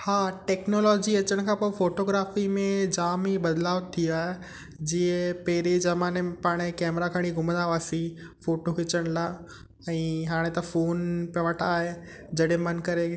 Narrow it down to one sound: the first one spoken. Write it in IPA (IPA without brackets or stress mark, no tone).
h